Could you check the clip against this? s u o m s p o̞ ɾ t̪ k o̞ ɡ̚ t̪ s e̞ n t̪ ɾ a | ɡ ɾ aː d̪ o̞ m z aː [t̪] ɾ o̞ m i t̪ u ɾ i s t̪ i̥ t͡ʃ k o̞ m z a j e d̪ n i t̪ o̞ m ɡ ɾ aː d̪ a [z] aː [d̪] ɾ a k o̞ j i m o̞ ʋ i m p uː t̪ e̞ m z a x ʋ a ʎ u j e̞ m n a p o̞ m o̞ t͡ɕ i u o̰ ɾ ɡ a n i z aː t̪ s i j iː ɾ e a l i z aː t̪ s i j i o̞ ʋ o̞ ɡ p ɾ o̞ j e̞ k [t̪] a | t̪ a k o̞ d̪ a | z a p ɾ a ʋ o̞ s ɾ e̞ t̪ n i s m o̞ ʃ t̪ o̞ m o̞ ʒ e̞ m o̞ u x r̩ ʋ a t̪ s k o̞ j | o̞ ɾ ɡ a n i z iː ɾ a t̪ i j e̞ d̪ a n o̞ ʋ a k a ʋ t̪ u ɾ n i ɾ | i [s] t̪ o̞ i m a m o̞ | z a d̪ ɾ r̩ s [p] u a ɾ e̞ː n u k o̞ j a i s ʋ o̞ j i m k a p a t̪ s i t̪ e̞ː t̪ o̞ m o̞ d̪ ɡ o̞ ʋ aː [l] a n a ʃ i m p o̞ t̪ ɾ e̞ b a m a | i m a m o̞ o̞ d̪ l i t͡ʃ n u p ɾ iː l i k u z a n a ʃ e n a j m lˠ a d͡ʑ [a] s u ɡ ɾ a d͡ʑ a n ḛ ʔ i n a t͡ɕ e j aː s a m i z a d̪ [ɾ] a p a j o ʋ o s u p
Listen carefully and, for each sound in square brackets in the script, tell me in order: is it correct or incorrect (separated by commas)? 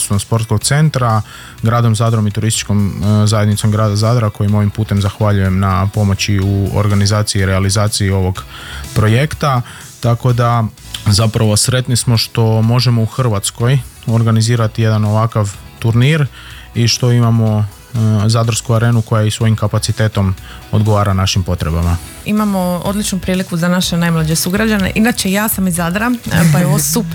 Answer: incorrect, correct, correct, correct, incorrect, incorrect, incorrect, incorrect, correct